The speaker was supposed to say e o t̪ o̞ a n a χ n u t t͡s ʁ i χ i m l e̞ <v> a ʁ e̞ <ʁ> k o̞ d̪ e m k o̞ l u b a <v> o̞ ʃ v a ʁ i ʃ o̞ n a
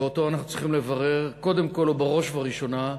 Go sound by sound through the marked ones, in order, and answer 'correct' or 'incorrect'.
correct, correct, incorrect: ʁ

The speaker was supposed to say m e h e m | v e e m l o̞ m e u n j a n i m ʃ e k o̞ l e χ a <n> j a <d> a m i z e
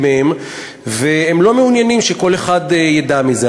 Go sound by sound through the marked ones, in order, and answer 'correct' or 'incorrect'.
incorrect: d, correct

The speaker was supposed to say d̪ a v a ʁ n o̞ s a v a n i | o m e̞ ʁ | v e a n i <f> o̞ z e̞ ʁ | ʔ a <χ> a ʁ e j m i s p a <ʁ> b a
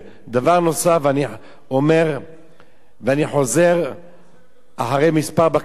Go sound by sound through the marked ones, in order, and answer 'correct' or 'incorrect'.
incorrect: ħ, incorrect: ħ, correct

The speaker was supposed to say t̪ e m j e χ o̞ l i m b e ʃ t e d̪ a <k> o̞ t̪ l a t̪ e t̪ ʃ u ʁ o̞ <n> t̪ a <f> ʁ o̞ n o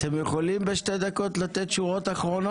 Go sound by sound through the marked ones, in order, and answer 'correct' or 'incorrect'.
correct, incorrect: none, incorrect: χ

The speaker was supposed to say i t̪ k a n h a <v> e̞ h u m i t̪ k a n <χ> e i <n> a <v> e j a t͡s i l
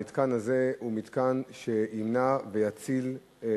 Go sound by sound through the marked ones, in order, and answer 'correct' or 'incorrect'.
incorrect: z, incorrect: ʃ, correct, correct

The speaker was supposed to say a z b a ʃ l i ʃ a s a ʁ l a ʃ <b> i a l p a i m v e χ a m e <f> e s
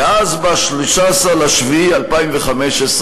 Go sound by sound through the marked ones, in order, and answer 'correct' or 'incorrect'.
incorrect: v, incorrect: ʃ

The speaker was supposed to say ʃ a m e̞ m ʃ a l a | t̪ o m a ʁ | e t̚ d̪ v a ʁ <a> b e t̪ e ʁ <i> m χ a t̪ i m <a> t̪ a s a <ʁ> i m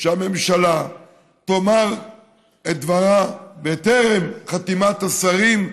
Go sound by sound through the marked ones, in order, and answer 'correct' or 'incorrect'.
correct, incorrect: e, correct, correct

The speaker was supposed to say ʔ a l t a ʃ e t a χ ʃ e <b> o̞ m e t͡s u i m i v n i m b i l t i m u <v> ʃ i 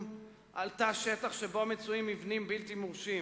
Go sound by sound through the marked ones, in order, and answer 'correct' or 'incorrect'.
correct, incorrect: ʁ

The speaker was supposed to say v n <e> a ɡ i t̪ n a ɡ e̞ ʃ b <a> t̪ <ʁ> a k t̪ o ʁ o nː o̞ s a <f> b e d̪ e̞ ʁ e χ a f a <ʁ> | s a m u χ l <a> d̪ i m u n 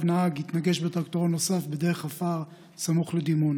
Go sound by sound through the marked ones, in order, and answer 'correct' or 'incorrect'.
incorrect: a, incorrect: e, correct, correct, correct, incorrect: e

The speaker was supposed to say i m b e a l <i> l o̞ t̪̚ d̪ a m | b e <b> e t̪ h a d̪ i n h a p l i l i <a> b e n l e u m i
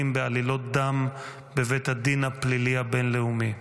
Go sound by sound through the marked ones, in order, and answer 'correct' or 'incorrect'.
correct, incorrect: v, correct

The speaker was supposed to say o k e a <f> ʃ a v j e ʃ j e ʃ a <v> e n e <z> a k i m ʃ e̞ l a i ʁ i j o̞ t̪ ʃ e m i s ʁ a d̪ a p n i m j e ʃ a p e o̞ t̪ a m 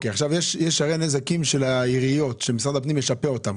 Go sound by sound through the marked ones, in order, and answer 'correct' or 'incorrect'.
incorrect: χ, incorrect: ʁ, correct

